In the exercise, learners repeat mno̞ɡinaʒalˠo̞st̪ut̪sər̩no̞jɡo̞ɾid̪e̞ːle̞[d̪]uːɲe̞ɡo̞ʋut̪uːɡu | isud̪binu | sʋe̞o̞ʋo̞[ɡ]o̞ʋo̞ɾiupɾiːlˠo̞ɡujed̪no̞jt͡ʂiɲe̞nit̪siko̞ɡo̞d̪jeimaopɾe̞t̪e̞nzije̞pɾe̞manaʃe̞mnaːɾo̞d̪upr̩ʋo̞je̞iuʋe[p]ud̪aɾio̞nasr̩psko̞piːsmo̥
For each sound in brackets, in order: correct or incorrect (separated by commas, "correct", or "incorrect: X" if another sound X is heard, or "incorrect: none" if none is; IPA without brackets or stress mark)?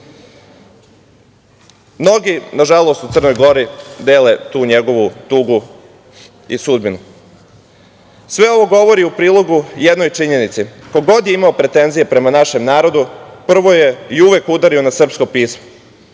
incorrect: t̪, correct, incorrect: k